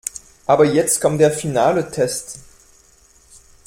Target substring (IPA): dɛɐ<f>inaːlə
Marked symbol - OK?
yes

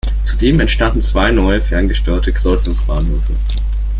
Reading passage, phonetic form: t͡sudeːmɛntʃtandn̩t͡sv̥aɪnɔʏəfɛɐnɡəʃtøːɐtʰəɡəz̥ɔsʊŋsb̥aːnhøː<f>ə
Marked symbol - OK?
yes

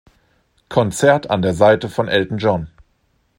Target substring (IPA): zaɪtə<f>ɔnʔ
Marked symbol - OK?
yes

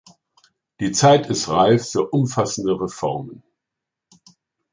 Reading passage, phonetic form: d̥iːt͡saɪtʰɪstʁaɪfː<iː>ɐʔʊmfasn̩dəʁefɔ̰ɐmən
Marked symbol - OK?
no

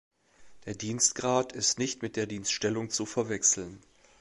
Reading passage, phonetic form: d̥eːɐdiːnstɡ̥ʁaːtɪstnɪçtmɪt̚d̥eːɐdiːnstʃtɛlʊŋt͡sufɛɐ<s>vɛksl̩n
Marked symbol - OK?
no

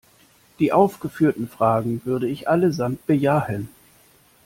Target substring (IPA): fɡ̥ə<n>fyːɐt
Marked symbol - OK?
no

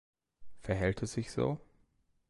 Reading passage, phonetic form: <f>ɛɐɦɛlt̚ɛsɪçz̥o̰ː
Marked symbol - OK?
yes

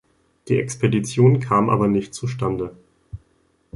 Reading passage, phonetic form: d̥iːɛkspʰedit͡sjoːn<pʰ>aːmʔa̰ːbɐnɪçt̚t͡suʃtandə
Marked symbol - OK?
no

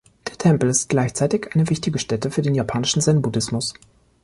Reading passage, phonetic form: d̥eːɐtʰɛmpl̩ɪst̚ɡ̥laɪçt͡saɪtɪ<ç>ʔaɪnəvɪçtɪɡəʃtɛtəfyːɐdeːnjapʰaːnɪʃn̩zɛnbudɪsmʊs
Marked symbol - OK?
yes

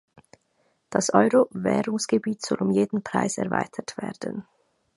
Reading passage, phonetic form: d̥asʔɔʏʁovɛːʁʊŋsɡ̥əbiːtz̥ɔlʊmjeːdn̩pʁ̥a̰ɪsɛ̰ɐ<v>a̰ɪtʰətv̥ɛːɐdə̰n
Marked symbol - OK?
yes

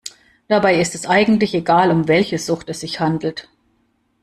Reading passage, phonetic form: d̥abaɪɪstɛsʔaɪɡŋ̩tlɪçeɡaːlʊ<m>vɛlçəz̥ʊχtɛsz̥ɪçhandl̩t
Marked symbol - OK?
yes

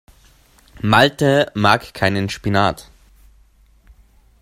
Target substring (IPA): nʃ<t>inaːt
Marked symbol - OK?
no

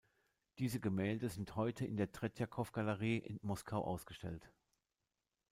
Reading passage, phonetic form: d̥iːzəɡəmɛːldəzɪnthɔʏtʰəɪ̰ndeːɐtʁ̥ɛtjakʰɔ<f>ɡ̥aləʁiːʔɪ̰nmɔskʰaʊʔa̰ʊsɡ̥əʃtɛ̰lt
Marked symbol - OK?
yes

